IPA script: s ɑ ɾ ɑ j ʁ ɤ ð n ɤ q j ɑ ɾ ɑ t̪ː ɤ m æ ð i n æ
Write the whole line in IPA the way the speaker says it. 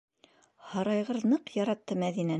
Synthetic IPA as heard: h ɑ ɾ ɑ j ʁ ɤ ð n ɤ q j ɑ ɾ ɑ t̪ː ɤ m æ ð i n æ

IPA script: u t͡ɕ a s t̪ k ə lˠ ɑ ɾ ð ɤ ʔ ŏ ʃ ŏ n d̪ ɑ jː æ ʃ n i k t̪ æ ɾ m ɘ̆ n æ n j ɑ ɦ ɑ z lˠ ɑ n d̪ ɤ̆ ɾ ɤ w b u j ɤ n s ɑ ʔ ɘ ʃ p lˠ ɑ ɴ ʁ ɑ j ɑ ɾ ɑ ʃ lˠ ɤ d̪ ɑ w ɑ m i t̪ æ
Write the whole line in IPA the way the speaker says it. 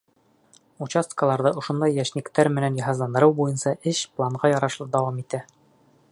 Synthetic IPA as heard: u t͡ɕ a s t̪ k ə lˠ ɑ ɾ ð ɤ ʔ ŏ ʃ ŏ n d̪ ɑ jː æ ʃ n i k t̪ æ ɾ m ɘ̆ n æ n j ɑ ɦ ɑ z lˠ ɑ n d̪ ɤ̆ ɾ ɤ w b u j ɤ n s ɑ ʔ ɘ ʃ p lˠ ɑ ɴ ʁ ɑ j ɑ ɾ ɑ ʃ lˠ ɤ d̪ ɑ w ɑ m i t̪ æ

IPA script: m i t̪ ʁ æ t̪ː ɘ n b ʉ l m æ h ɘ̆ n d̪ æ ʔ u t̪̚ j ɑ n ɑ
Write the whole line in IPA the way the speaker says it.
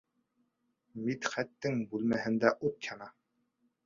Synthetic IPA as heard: m i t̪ χ æ t̪ː ɘ ŋ b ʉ l m æ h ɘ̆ n d̪ æ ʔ u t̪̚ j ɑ n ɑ

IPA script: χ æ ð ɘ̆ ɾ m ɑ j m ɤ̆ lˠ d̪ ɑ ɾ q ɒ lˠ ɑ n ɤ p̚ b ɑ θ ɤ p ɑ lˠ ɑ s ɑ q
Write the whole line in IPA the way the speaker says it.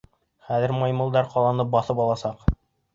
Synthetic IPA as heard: χ æ ð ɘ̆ ɾ m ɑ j m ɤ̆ lˠ d̪ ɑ ɾ q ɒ lˠ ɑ n ɤ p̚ b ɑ θ ɤ p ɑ lˠ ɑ s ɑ q

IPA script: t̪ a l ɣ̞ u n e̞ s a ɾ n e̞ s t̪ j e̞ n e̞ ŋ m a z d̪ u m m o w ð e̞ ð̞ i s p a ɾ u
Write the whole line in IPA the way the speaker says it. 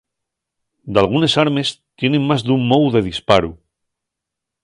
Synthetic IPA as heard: d̪ a l ɣ̞ u n e̞ s a ɾ m e̞ s t̪ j e̞ n e̞ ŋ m a z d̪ u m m o w ð e̞ ð̞ i s p a ɾ u

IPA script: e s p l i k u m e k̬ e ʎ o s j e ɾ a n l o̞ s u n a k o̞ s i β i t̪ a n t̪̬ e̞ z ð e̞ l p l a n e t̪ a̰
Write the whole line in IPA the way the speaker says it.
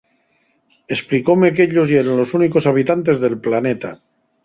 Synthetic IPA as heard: e s p l i k o m e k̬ e ʎ o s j e ɾ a n l o̞ s u n i k o̞ s a β i t̪ a n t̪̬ e̞ z ð e̞ l p l a n e t̪ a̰

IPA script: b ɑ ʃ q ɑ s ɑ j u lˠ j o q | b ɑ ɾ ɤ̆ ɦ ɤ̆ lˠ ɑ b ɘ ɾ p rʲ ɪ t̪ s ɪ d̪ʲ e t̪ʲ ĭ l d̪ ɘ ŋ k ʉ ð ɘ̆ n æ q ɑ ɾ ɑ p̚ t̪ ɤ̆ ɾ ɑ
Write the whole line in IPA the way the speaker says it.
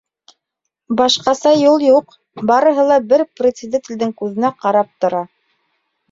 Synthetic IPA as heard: b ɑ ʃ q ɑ s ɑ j u lˠ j u q | b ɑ ɾ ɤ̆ ɦ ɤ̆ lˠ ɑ b ɘ ɾ p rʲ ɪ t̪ s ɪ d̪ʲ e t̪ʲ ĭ l d̪ ɘ ŋ k ʉ ð ɘ̆ n æ q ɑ ɾ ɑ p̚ t̪ ŏ ɾ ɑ

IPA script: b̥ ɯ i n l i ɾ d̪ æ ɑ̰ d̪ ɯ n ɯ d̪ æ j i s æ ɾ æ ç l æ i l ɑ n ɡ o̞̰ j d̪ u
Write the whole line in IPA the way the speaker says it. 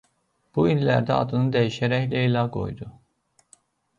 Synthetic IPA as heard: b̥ u i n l æ ɾ d̪ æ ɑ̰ d̪ ɯ n ɯ d̪ æ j i ʃ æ ɾ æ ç l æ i l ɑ ɡ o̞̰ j d̪ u

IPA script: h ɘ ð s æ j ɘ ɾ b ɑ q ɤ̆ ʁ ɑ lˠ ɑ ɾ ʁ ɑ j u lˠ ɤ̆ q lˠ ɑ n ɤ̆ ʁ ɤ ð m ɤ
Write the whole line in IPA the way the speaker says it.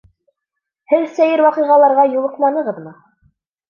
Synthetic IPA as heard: h ɘ ð s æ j ɘ ɾ w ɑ q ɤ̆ ʁ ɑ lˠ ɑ ɾ ʁ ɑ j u lˠ ɤ̆ q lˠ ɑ n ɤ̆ ʁ ɤ ð m ɤ

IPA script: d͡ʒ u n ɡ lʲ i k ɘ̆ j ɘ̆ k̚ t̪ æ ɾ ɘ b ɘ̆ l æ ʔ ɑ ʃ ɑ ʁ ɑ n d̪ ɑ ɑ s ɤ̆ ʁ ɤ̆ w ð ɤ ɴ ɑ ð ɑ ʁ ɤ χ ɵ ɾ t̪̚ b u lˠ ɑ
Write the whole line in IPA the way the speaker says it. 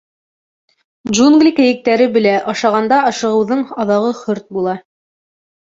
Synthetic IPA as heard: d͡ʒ u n ɡ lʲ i k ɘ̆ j ɘ̆ k̚ t̪ æ ɾ ɘ b ɘ̆ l æ ʔ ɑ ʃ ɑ ʁ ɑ n d̪ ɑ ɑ ʃ ɤ̆ ʁ ɤ̆ w ð ɤ ɴ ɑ ð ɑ ʁ ɤ χ ɵ ɾ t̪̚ b u lˠ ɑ

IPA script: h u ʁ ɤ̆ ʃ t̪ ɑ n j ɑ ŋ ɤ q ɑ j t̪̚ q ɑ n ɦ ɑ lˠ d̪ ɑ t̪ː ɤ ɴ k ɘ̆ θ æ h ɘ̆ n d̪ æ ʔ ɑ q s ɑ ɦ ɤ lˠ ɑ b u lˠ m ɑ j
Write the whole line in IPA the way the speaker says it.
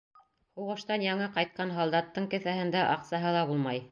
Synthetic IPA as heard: h u ʁ ɤ̆ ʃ t̪ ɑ n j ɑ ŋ ɤ q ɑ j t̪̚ q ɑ n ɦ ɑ lˠ d̪ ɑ t̪ː ɤ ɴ k ɘ̆ θ æ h ɘ̆ n d̪ æ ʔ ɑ q s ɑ ɦ ɤ lˠ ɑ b u lˠ m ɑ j

